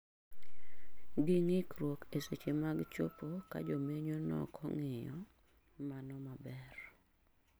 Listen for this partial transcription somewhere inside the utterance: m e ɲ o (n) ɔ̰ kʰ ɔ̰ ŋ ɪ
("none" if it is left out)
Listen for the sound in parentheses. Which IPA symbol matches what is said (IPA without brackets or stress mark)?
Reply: n